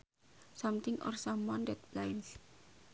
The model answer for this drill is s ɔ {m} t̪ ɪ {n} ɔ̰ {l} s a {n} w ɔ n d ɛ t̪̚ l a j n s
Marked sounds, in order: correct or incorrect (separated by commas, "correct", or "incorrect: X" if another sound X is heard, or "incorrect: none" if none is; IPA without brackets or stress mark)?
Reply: correct, incorrect: ŋ, incorrect: r, incorrect: m